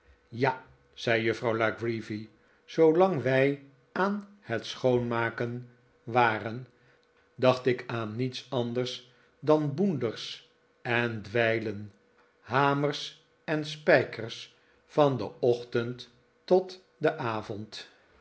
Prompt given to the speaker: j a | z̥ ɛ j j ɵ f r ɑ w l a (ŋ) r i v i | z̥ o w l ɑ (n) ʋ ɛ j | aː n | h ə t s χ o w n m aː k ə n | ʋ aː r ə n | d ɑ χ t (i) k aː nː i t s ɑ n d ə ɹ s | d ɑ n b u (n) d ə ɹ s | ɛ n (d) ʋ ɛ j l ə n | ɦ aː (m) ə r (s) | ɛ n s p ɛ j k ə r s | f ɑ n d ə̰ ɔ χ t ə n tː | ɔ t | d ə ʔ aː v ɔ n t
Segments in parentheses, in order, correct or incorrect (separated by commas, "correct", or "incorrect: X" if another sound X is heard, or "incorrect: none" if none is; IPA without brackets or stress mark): incorrect: ɡ, incorrect: ŋ, incorrect: ɪ, correct, correct, correct, correct